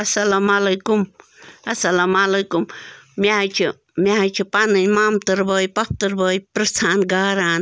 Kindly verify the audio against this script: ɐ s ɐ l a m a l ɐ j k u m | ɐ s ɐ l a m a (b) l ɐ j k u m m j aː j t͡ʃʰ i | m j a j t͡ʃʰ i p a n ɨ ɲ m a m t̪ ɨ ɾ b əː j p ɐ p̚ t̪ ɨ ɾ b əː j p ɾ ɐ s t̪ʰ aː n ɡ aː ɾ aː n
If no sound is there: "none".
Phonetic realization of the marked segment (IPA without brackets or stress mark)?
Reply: none